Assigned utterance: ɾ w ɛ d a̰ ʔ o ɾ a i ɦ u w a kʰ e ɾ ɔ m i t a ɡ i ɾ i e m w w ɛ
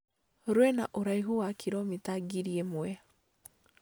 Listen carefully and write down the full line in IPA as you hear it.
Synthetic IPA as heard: ɾ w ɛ n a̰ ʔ o ɾ a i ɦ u w a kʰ i ɾ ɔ m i t a ɡ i ɾ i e m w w ɛ